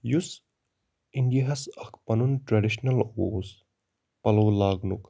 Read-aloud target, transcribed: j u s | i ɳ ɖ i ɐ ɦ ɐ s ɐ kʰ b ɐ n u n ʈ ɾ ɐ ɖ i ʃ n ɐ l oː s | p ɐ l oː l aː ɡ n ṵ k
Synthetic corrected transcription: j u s | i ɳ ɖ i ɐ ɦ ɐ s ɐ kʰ p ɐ n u n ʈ ɾ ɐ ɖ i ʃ n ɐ l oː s | p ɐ l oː l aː ɡ n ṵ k